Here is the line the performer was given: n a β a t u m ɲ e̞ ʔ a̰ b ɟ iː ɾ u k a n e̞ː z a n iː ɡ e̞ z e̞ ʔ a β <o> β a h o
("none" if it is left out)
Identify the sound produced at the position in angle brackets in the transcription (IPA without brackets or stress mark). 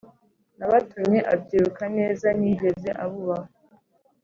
u